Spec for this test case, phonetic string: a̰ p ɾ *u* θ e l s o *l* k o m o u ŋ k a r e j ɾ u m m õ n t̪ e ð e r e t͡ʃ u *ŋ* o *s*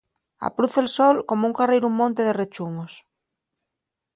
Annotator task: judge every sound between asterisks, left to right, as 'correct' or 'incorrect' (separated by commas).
correct, correct, correct, correct